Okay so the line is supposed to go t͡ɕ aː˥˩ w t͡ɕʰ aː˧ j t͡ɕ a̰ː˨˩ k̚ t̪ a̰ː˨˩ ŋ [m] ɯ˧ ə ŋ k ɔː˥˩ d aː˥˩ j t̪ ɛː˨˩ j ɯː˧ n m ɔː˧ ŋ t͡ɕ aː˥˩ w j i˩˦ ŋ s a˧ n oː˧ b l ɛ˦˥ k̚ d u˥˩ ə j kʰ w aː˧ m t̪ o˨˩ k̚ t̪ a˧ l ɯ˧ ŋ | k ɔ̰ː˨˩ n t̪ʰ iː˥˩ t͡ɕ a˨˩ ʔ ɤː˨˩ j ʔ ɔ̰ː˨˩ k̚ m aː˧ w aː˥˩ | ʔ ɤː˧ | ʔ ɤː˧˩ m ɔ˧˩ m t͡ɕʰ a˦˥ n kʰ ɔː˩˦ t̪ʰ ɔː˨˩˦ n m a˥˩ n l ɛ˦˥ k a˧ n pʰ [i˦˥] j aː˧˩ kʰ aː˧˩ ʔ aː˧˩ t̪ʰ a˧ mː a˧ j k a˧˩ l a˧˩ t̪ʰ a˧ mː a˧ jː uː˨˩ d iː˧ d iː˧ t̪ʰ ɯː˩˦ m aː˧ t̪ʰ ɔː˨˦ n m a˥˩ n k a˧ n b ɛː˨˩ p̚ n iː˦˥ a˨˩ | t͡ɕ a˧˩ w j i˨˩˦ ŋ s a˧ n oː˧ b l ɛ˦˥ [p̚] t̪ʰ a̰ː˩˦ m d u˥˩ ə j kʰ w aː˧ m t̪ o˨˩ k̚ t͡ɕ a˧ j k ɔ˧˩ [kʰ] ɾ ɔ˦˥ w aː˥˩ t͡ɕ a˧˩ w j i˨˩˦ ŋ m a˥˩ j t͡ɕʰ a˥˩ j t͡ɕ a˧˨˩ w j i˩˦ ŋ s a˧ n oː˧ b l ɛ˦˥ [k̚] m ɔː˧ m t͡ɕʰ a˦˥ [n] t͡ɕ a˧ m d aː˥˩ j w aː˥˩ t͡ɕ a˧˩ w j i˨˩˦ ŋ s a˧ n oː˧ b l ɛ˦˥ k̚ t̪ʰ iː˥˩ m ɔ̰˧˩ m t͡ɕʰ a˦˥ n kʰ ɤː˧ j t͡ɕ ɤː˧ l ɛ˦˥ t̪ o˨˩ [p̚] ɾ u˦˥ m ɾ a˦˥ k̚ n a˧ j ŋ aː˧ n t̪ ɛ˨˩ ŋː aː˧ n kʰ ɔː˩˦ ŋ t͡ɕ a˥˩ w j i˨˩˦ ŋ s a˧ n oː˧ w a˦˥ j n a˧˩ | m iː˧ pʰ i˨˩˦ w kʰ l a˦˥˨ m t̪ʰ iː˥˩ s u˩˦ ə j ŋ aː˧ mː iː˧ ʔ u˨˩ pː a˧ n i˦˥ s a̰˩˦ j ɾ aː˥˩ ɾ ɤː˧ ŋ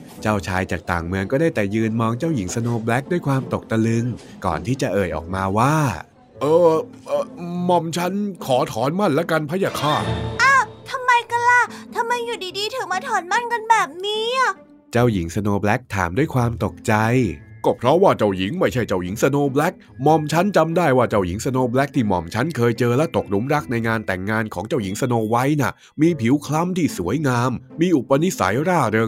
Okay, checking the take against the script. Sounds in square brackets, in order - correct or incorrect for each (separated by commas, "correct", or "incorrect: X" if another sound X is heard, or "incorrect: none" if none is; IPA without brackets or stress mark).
correct, incorrect: a˦˥, incorrect: k̚, incorrect: pʰ, correct, correct, incorrect: k̚